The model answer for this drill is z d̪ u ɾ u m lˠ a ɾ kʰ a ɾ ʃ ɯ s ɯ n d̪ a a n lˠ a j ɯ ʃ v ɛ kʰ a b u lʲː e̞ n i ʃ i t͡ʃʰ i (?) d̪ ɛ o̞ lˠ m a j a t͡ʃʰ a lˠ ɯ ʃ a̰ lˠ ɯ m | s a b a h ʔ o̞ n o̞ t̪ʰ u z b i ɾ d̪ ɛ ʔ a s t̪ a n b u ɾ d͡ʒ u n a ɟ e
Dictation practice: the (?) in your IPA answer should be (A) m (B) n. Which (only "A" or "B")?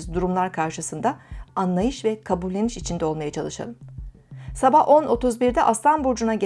B